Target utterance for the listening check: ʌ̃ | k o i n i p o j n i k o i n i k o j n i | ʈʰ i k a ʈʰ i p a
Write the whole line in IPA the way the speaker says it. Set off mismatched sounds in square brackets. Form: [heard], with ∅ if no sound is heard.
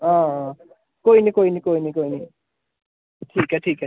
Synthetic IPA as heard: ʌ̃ | k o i n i [k] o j n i k o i n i k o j n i | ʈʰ i k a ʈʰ i [k] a